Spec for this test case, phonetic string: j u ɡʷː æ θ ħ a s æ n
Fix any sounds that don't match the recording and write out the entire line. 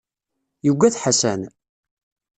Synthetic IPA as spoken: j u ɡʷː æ θ ħ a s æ n